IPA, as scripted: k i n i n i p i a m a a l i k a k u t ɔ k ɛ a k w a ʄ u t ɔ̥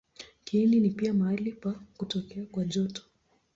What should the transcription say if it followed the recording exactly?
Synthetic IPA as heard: k i n i n i p i a m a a l i p a k u t ɔ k ɛ a k w a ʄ ɔ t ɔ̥